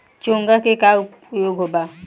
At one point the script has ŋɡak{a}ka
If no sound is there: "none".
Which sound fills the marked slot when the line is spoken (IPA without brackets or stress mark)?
e